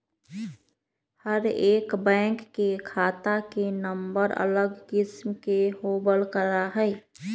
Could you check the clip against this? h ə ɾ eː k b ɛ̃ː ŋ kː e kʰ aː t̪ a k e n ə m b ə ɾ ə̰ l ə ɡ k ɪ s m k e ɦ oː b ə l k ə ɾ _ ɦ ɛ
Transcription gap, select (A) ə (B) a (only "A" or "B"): B